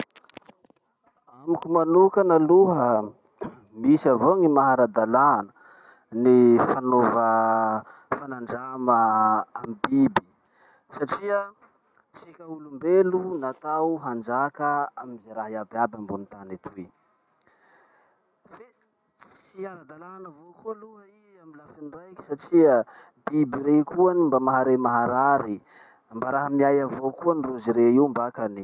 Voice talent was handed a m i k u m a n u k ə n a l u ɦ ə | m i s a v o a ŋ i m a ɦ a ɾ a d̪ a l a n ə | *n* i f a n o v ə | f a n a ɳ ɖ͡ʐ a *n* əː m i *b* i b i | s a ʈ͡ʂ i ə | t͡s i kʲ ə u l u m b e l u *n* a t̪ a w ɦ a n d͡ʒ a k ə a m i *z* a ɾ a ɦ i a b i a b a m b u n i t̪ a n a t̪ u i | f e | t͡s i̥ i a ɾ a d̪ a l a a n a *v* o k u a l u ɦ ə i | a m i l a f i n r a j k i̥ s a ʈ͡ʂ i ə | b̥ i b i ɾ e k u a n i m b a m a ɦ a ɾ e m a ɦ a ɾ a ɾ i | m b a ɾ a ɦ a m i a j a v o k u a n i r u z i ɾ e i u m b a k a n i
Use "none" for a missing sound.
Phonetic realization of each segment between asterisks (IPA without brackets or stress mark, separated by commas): n, m, b, n, z, v